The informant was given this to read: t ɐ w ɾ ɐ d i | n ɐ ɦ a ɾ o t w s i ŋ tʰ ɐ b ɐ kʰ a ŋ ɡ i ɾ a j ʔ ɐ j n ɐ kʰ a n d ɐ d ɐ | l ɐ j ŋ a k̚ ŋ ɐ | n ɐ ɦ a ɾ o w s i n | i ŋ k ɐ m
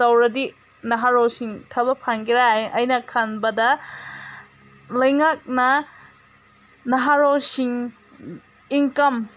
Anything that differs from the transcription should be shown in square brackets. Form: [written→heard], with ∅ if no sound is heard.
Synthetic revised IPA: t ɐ w ɾ ɐ d i | n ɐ ɦ a ɾ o [t→∅] w s i ŋ tʰ ɐ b ɐ [kʰ→pʰ] a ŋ ɡ i ɾ a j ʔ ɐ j n ɐ kʰ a n [d→b] ɐ d ɐ | l ɐ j ŋ a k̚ [ŋ→n] ɐ | n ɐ ɦ a ɾ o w s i [n→ŋ] | i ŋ k ɐ m